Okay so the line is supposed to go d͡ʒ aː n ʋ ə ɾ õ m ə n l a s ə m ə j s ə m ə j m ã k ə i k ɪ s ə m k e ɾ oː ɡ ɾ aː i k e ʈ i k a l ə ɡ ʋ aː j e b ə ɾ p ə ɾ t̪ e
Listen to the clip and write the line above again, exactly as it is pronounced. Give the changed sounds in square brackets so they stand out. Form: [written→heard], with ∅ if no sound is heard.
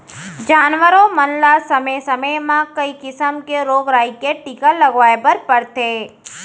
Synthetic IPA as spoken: d͡ʒ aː n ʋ ə ɾ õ m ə n l a s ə m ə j s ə m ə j m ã k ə i k ɪ s ə m k e ɾ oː ɡ ɾ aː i k e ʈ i k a l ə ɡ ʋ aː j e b ə ɾ p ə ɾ t̪ e